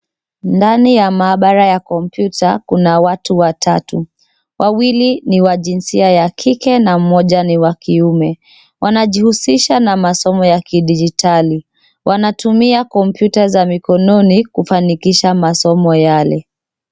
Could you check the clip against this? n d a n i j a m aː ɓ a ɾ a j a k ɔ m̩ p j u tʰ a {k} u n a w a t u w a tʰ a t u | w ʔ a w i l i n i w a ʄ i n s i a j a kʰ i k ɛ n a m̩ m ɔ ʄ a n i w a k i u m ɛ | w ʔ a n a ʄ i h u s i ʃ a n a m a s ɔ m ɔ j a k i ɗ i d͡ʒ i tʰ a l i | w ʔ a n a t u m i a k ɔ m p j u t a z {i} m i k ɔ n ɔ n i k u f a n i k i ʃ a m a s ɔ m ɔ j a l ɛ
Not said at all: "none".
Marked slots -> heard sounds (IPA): k, a

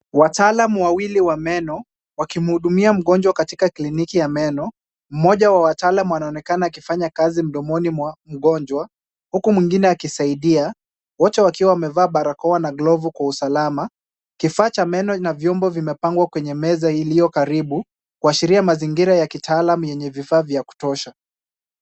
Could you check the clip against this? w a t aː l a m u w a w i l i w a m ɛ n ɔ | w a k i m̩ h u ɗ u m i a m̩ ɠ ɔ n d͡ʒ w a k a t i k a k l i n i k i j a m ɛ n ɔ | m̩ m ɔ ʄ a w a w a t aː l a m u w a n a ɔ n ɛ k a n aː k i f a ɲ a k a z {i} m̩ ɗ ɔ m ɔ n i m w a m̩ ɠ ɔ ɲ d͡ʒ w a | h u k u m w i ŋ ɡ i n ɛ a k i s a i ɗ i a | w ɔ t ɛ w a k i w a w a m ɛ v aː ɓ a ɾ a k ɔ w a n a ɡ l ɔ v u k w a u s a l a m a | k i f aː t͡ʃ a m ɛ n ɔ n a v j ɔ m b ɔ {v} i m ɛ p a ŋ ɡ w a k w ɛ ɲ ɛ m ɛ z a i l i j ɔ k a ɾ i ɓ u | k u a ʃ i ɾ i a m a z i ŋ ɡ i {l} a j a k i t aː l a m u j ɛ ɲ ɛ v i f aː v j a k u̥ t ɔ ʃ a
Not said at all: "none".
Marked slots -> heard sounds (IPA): i, v, ɾ

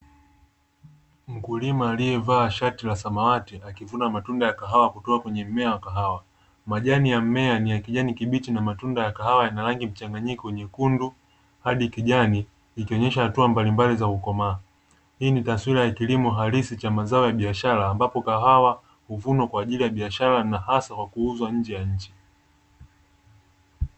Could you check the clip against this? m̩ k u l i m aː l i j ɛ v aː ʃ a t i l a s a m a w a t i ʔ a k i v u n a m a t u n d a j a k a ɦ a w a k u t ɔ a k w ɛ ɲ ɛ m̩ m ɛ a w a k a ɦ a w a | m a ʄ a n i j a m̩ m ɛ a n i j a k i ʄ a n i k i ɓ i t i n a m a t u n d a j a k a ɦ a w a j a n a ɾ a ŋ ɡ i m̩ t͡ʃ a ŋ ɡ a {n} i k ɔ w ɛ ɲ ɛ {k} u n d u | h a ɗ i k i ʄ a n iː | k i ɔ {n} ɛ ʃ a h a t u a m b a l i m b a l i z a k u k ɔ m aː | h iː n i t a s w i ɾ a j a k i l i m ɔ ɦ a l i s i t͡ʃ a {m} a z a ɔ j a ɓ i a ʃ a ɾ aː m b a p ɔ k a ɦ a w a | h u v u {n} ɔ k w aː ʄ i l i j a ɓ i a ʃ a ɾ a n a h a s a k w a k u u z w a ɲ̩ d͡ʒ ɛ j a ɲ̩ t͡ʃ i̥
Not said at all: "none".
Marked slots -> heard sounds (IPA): ɲ, k, ɲ, m, n

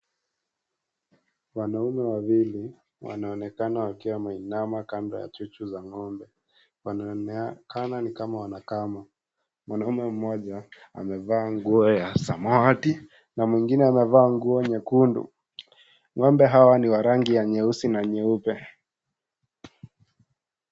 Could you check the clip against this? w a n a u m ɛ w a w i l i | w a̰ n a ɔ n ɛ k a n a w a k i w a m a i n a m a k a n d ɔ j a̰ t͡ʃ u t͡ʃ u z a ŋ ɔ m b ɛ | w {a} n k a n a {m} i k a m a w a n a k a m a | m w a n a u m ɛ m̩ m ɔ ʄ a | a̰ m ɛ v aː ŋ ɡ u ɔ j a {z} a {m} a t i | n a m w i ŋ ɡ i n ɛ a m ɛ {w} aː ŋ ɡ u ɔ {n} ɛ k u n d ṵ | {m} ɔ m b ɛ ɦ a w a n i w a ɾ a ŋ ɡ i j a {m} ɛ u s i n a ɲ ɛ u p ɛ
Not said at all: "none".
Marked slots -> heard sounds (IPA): a, n, s, m, v, ɲ, ŋ, ɲ

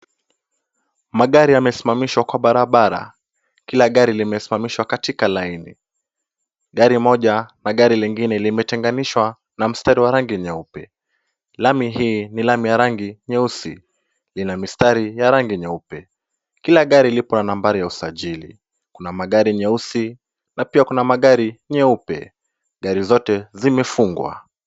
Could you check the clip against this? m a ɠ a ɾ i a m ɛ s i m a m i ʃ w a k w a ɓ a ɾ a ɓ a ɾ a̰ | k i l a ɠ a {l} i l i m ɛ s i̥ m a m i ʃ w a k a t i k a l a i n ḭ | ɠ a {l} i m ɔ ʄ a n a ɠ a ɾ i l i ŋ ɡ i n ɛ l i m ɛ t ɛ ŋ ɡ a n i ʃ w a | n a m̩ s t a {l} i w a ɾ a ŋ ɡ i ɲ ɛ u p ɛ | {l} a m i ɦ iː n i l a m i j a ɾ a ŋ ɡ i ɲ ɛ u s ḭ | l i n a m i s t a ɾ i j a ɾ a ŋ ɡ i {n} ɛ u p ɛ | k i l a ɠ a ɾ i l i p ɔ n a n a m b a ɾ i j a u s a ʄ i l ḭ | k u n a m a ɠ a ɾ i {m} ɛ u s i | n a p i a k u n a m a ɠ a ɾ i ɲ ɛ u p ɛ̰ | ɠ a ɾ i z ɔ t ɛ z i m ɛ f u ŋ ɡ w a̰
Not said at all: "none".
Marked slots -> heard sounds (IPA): ɾ, ɾ, ɾ, l, ɲ, ɲ

